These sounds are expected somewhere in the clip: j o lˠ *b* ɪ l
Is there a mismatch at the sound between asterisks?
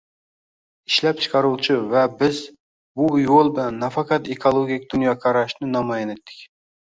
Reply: no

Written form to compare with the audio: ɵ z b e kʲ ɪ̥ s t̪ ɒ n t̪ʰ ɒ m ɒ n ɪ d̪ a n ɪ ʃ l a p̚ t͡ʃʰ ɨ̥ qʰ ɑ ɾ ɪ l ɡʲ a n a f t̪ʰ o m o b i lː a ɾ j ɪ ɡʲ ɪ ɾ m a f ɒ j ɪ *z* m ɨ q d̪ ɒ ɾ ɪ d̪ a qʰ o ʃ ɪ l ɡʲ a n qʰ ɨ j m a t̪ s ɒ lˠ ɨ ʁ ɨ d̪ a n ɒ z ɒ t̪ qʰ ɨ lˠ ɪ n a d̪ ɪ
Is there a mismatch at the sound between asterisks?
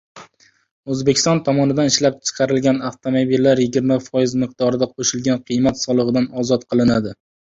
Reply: no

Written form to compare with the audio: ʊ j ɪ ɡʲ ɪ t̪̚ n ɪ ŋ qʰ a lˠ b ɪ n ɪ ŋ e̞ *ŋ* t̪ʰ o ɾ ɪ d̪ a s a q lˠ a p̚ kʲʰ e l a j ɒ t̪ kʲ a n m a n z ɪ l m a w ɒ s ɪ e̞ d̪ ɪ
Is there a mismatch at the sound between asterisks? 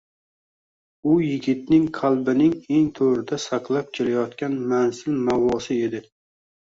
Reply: no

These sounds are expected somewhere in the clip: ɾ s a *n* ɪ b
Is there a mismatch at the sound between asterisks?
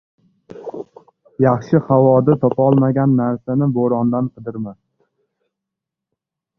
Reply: no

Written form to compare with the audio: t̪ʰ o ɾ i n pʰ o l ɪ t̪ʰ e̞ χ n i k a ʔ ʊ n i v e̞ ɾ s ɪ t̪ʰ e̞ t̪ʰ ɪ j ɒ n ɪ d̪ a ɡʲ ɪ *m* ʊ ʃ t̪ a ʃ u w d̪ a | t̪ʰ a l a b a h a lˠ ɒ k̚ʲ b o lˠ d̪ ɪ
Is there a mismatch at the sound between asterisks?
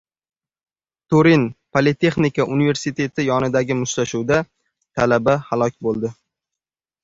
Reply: no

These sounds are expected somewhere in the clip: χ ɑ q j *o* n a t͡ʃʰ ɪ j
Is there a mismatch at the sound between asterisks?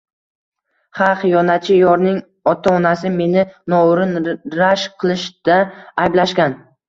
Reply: yes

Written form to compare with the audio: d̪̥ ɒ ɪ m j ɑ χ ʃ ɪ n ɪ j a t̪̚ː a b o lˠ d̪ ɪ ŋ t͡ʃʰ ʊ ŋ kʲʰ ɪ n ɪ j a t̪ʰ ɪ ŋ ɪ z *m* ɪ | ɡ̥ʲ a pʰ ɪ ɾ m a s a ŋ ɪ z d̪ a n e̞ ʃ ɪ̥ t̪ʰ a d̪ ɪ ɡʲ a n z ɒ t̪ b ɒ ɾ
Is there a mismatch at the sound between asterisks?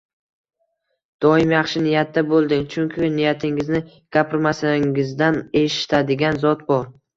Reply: yes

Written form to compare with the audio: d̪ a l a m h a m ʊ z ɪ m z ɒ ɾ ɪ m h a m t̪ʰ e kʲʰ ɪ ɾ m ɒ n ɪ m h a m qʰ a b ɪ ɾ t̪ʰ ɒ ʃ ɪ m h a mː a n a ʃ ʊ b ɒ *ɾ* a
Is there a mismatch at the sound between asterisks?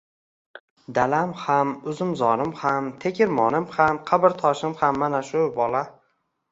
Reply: yes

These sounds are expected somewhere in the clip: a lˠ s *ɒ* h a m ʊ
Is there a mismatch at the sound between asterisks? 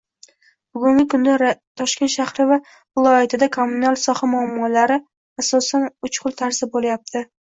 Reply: no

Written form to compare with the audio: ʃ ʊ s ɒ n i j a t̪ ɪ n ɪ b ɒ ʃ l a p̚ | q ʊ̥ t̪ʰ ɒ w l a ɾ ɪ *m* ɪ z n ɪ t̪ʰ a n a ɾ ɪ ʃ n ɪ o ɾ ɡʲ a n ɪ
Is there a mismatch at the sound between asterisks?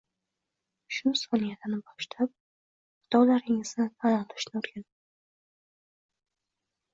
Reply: yes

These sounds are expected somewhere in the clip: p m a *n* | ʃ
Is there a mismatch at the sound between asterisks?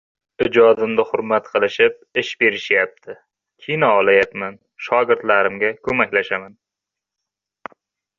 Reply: no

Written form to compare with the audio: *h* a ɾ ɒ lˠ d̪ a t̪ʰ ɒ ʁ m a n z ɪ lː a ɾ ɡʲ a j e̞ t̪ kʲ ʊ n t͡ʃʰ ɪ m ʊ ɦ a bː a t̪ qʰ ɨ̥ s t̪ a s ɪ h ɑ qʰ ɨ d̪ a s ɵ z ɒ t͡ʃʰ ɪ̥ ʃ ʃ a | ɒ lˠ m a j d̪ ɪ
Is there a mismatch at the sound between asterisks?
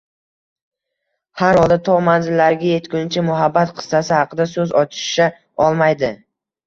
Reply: no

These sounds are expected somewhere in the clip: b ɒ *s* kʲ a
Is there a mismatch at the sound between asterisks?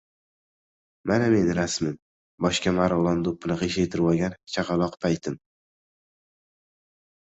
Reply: yes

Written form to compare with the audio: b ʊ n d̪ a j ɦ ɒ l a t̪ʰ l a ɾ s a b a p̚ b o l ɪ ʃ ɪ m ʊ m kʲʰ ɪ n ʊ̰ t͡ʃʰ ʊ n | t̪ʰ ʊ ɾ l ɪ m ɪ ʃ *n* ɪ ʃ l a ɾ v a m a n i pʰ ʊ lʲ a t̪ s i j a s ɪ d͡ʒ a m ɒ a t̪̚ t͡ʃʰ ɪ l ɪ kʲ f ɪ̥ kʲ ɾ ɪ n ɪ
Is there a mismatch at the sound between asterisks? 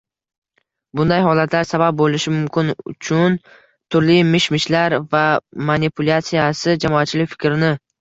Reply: yes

